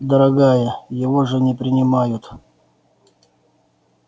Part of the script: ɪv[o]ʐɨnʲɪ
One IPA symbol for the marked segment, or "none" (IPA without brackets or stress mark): o